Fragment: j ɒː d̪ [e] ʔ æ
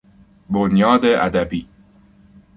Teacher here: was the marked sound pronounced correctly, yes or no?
yes